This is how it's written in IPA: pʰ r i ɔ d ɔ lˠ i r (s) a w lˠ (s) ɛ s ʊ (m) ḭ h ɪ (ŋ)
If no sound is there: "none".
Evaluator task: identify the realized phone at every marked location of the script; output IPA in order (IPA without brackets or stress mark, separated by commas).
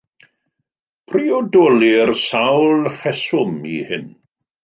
s, h, m, n